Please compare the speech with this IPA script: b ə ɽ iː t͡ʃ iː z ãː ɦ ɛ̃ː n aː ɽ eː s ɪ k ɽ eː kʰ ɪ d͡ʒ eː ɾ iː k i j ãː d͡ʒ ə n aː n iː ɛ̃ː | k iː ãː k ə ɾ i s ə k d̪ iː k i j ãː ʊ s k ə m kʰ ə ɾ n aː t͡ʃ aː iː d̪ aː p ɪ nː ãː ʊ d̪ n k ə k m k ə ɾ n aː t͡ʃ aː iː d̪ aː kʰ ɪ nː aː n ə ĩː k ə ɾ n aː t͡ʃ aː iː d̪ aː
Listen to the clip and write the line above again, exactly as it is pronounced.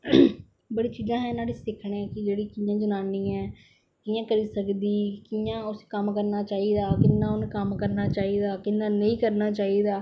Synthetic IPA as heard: b ə ɽ iː t͡ʃ iː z ãː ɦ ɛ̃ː n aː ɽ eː s ɪ kʰ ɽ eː k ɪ d͡ʒ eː ɽ iː k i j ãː d͡ʒ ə n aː n iː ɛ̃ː | k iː ãː k ə ɾ iː s ə k d̪ iː k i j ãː ʊ s k ə m k ə ɾ n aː t͡ʃ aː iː d̪ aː k ɪ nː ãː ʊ n k ə m k ə ɾ n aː t͡ʃ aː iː d̪ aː k ɪ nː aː n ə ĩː k ə ɾ n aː t͡ʃ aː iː d̪ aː

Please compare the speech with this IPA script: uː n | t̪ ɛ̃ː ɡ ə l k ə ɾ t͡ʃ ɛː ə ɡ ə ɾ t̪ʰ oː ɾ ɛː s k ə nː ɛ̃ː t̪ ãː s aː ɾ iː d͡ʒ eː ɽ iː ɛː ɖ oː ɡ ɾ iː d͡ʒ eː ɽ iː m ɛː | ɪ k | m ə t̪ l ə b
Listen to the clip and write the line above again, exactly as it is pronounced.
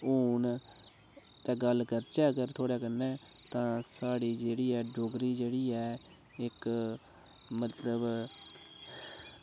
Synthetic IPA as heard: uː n | t̪ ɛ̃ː ɡ ə l k ə ɾ t͡ʃ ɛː ə ɡ ə ɾ t̪ʰ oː ɽ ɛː k ə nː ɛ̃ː t̪ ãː s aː ɽ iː d͡ʒ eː ɽ iː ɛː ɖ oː ɡ ɾ iː d͡ʒ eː ɽ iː ɛː | ɪ k | m ə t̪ l ə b

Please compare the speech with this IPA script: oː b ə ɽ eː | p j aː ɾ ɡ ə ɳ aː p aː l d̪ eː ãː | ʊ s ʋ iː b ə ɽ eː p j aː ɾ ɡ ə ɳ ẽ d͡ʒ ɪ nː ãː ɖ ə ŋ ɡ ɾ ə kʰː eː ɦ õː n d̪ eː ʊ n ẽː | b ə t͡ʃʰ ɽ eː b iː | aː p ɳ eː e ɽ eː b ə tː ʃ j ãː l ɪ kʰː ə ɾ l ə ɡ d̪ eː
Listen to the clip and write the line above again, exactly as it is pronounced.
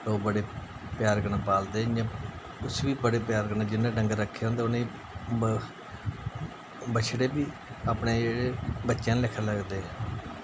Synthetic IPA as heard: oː b ə ɽ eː | p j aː ɾ ɡ ə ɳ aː p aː l d̪ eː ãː | ʊ s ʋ iː b ə ɽ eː p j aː ɾ ɡ ə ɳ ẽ d͡ʒ ɪ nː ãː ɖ ə ŋ ɡ ɾ ə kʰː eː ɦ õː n d̪ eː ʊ n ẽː | b ə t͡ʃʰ ɽ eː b iː | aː p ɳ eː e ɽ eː b ə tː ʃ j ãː l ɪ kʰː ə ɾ l ə ɡ d̪ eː

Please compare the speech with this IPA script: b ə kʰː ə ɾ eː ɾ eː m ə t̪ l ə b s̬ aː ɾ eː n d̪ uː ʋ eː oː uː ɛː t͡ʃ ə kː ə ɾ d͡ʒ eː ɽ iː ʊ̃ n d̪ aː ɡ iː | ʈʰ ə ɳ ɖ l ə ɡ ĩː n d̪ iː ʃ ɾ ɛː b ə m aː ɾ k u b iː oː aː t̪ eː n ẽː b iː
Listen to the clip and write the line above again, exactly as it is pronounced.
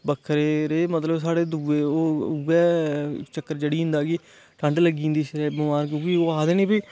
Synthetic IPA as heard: b ə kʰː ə ɾ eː ɾ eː m ə t̪ l ə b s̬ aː ɽ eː d̪ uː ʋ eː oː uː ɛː t͡ʃ ə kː ə ɾ d͡ʒ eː ɽ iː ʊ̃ n d̪ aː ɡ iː | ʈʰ ə ɳ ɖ l ə ɡ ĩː n d̪ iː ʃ ɾ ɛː b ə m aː ɾ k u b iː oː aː d̪ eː n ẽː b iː

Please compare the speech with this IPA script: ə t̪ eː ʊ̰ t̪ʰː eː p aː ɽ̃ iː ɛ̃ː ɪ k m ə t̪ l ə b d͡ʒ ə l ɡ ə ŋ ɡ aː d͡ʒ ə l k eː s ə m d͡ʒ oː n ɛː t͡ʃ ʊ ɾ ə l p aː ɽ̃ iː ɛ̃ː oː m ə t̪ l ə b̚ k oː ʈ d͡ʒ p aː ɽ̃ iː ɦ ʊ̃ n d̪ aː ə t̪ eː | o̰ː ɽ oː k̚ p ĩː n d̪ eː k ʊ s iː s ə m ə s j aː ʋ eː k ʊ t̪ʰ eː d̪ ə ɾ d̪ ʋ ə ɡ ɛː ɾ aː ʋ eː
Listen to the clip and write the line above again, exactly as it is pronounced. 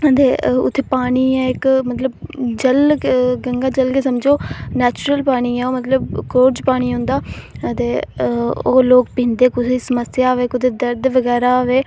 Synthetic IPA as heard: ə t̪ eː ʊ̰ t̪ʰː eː p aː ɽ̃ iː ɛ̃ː ɪ k m ə t̪ l ə b d͡ʒ ə l ɡ ə ŋ ɡ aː d͡ʒ ə l k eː s ə m d͡ʒ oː n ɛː t͡ʃ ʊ ɾ ə l p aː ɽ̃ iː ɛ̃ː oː m ə t̪ l ə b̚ k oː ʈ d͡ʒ p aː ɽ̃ iː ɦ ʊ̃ n d̪ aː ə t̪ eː | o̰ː l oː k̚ p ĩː n d̪ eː k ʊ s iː s ə m ə s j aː ʋ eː k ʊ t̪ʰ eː d̪ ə ɾ d̪ ʋ ə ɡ ɛː ɾ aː ʋ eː

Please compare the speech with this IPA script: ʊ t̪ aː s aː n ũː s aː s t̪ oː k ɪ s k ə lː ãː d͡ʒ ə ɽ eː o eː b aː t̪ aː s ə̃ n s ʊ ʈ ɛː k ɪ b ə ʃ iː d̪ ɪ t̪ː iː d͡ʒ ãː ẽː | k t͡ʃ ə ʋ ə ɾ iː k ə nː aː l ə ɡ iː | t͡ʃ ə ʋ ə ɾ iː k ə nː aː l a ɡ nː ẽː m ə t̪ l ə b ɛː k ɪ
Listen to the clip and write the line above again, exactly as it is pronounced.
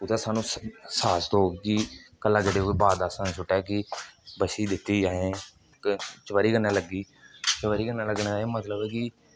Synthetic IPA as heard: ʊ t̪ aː s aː n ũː s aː s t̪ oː k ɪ k ə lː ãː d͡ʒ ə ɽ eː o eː b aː d̪ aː s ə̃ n s ʊ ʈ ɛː k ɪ b ə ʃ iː d̪ ɪ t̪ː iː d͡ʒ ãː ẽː | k t͡ʃ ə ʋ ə ɾ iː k ə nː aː l ə ɡ iː | t͡ʃ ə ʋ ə ɾ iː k ə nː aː l ə ɡ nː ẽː m ə t̪ l ə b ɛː k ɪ

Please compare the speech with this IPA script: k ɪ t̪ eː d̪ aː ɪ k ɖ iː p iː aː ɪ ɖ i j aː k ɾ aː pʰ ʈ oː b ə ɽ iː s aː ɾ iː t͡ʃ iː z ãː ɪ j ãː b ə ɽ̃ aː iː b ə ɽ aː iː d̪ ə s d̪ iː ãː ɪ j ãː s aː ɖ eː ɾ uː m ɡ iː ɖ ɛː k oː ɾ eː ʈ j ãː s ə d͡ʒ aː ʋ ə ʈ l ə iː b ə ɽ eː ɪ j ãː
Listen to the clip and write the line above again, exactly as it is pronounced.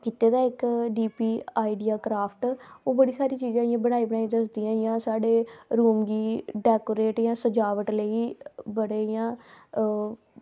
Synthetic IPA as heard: k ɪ t̪ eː d̪ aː ɪ k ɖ iː p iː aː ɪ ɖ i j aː k ɾ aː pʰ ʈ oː b ə ɽ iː s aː ɾ iː t͡ʃ iː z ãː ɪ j ãː b ə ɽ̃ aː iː b ə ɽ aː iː d̪ ə s d̪ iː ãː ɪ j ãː s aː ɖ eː ɾ uː m ɡ iː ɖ ɛː k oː ɾ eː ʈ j ãː s ə d͡ʒ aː ʋ ə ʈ l ə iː b ə ɽ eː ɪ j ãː

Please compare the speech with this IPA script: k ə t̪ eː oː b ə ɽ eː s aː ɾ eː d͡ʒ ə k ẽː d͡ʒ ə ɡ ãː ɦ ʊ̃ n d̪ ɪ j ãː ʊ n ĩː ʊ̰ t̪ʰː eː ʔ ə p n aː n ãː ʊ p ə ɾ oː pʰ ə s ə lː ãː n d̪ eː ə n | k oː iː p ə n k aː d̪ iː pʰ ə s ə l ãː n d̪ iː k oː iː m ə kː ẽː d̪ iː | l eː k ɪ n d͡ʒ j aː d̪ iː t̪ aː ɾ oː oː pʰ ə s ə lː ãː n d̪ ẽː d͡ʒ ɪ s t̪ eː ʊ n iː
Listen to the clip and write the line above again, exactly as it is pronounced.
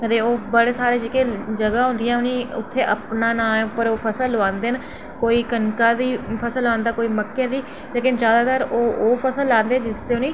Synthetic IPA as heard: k ə t̪ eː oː b ə ɽ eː s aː ɾ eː d͡ʒ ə k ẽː d͡ʒ ə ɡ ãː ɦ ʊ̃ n d̪ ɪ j ãː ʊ n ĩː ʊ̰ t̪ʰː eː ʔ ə p n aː n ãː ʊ p ə ɾ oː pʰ ə s ə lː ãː n d̪ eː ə n | k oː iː k ə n k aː d̪ iː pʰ ə s ə l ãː n d̪ aː k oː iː m ə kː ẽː d̪ iː | l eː k ɪ n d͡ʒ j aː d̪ aː t̪ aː ɾ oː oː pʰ ə s ə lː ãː n d̪ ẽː d͡ʒ ɪ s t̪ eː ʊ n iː

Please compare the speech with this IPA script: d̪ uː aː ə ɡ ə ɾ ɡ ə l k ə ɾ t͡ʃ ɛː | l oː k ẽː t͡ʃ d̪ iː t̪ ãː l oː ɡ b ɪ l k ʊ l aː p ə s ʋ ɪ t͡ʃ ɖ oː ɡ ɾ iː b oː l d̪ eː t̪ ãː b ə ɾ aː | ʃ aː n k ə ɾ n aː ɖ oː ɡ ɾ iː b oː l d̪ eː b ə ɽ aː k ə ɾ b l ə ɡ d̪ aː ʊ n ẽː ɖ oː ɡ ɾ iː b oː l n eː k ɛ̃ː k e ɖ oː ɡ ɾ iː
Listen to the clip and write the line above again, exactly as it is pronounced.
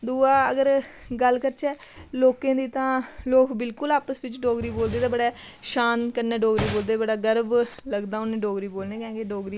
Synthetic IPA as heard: d̪ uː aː ə ɡ ə ɾ ɡ ə l k ə ɾ t͡ʃ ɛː | l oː k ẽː d̪ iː t̪ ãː l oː k b ɪ l k ʊ l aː p ə s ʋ ɪ t͡ʃ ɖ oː ɡ ɾ iː b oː l d̪ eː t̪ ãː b ə ɽ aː | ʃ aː n k ə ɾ n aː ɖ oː ɡ ɾ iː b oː l d̪ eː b ə ɽ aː ɡ ə ɾ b l ə ɡ d̪ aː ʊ n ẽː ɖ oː ɡ ɾ iː b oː l n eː k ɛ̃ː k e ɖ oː ɡ ɾ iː

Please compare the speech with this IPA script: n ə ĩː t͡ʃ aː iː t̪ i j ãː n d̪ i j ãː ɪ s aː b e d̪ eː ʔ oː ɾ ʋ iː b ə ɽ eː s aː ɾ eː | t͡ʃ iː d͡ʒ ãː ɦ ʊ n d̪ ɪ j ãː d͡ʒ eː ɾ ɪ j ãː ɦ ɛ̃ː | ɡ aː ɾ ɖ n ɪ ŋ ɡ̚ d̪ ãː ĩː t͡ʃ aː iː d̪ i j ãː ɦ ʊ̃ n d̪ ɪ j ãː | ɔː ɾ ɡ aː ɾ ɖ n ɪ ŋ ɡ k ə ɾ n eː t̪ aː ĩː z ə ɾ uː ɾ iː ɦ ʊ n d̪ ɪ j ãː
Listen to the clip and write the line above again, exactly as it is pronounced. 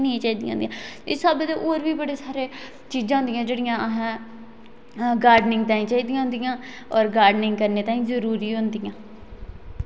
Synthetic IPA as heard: n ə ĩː t͡ʃ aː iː d̪ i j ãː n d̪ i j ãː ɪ s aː b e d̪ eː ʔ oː ɾ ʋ iː b ə ɽ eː s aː ɾ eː | t͡ʃ iː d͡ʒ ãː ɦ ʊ n d̪ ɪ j ãː d͡ʒ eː ɽ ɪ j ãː ɦ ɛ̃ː | ɡ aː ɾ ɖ n ɪ ŋ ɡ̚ t̪ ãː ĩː t͡ʃ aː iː d̪ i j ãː ɦ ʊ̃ n d̪ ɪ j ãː | ɔː ɾ ɡ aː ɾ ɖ n ɪ ŋ ɡ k ə ɾ n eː t̪ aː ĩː z ə ɾ uː ɾ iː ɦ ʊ n d̪ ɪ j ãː

